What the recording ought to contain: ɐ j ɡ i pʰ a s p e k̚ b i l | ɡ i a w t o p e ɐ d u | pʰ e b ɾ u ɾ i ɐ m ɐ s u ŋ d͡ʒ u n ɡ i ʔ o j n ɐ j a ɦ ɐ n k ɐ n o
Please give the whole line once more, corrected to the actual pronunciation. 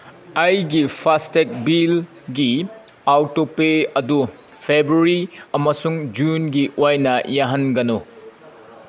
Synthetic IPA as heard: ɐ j ɡ i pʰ a s t e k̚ b i l | ɡ i a w t o p e ɐ d u | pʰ e b ɾ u ɾ i ɐ m ɐ s u ŋ d͡ʒ u n ɡ i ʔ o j n ɐ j a ɦ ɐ n ɡ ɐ n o